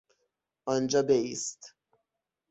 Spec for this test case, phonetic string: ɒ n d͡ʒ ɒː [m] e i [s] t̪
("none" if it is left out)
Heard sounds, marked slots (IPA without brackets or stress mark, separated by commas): b, s